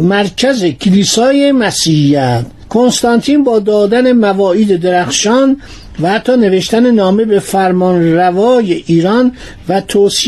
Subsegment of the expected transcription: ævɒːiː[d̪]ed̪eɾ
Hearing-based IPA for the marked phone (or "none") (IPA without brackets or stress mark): d̪